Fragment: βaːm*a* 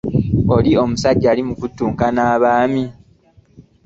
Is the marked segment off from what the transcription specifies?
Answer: yes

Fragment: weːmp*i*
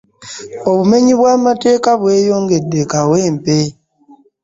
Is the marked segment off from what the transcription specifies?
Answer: yes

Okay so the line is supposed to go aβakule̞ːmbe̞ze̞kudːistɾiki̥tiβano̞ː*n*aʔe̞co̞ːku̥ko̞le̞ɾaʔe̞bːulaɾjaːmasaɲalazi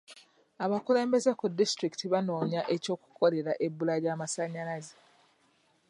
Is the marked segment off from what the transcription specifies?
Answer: yes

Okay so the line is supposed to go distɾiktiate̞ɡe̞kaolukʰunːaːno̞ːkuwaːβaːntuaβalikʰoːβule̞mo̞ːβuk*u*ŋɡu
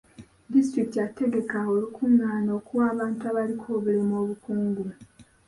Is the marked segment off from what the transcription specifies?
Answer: yes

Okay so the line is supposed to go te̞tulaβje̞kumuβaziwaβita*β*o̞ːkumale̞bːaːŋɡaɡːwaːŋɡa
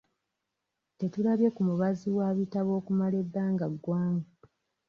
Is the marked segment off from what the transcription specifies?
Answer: no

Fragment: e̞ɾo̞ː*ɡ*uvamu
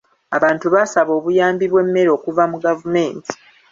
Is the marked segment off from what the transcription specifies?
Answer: yes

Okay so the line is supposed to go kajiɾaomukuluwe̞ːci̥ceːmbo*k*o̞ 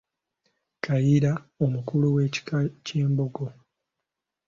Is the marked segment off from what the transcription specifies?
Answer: yes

